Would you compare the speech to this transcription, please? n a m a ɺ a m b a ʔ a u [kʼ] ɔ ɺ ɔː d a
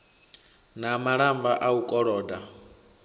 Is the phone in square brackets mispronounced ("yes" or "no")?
no